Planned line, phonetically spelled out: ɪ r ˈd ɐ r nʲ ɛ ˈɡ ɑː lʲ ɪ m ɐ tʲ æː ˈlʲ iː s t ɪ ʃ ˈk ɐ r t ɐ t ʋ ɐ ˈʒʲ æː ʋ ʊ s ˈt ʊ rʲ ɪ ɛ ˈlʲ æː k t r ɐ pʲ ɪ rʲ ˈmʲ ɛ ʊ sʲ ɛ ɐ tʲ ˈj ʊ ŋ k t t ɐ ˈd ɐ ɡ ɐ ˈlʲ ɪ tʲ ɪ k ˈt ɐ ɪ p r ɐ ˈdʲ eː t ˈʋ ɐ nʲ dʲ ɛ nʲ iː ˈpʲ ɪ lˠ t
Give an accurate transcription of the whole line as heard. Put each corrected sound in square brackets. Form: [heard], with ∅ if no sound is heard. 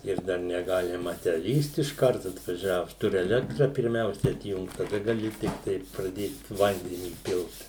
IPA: ɪ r ˈd ɐ r nʲ ɛ ˈɡ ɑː lʲ ɪ m ɐ tʲ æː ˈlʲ iː s t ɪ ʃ ˈk ɐ r t ɐ t ʋ ɐ ˈʒʲ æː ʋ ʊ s ˈt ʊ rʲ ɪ ɛ ˈlʲ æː k t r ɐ pʲ ɪ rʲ ˈmʲ ɛ ʊ sʲ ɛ ɐ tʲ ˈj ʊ ŋ k t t ɐ ˈd ɐ ɡ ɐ ˈlʲ ɪ tʲ ɪ k ˈt ɐ ɪ p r ɐ ˈdʲ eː t ˈʋ ɐ nʲ dʲ ɛ nʲ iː ˈpʲ ɪ lˠ t